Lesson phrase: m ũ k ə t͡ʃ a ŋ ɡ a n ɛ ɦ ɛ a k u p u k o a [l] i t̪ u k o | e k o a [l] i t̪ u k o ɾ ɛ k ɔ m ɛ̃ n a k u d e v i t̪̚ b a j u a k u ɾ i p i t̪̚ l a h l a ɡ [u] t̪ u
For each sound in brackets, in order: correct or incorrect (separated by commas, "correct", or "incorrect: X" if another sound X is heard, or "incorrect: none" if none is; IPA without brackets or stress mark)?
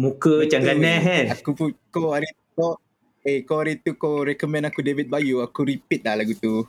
incorrect: ɾ, incorrect: ɾ, correct